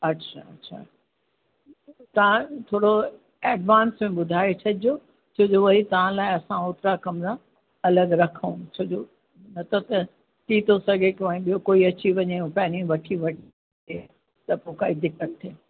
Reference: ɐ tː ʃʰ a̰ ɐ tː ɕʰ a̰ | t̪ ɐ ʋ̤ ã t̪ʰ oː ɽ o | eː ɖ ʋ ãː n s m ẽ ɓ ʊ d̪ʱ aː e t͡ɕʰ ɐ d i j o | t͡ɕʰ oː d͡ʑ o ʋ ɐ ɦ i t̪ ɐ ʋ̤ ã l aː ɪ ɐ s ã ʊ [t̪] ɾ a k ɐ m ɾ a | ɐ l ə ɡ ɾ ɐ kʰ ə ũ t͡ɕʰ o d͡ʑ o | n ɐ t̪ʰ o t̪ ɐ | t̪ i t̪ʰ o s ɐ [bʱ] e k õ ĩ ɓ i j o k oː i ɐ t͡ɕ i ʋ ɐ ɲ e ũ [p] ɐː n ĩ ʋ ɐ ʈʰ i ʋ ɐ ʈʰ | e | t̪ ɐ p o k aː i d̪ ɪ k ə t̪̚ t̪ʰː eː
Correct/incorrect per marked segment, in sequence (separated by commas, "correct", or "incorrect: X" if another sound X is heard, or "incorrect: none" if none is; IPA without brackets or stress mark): correct, incorrect: ɡʱ, correct